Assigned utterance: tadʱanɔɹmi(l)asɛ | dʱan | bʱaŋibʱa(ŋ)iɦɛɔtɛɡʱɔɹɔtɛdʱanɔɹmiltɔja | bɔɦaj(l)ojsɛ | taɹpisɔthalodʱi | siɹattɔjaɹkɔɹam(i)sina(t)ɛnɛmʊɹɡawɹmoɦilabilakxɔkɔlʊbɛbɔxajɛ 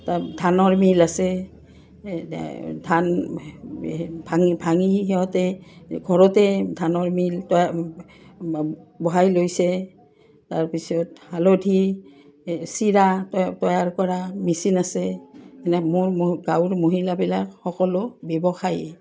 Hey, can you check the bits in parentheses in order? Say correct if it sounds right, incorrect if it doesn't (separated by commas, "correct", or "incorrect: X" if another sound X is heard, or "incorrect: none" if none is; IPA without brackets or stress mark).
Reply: correct, correct, correct, correct, incorrect: s